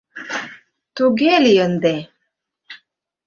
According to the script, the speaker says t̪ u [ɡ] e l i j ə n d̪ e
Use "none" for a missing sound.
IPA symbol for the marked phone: ɡ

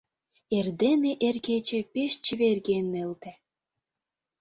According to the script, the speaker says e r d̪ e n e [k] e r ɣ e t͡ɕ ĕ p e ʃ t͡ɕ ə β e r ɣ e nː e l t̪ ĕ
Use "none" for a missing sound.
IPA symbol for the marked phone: ʔ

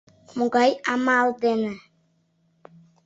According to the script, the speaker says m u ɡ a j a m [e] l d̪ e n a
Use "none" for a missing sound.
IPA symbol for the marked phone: a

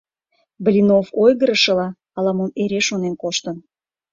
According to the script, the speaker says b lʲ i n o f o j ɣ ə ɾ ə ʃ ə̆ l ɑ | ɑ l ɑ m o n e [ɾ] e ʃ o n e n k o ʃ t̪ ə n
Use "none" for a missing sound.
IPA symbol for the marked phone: ɾ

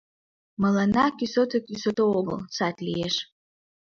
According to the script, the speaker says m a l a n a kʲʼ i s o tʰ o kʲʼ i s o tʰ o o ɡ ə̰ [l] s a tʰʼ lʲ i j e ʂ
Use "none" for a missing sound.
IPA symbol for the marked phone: l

